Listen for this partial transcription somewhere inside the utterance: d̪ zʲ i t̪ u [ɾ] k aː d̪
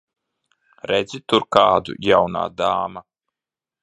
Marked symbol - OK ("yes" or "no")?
yes